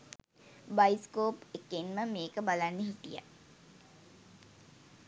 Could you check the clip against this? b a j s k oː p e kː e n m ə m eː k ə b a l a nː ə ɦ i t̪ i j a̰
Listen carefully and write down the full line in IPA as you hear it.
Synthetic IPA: b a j s k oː p e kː e n m ə m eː k ə b a l a nː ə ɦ i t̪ i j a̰